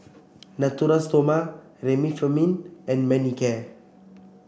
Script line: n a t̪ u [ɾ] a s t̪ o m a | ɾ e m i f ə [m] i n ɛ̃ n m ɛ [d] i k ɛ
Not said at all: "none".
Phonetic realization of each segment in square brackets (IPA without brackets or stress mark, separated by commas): ɾ, m, n